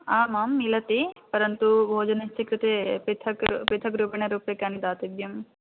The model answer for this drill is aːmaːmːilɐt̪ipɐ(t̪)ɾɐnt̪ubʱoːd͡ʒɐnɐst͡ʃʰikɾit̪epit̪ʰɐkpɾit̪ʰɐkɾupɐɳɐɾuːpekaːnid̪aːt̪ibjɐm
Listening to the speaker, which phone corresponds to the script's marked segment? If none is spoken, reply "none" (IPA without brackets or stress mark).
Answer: none